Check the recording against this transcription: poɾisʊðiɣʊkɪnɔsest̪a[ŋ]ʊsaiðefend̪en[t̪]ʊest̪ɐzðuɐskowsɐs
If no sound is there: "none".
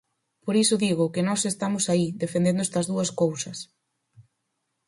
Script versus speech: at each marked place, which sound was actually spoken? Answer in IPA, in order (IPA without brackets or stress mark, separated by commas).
m, d̪